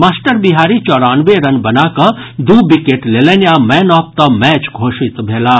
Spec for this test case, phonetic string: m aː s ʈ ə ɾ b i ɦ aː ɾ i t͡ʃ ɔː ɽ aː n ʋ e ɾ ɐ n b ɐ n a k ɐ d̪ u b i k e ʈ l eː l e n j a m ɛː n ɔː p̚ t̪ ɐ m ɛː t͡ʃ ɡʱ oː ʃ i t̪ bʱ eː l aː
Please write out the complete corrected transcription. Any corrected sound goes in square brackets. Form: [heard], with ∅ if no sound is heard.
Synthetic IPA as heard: m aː s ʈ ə ɾ b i ɦ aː ɾ i t͡ʃ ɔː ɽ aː n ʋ e ɾ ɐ n b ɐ n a k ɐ d̪ u b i k e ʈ l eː l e n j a m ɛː n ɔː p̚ t̪ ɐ m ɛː t͡ʃ ɡʱ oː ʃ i t̪ bʱ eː l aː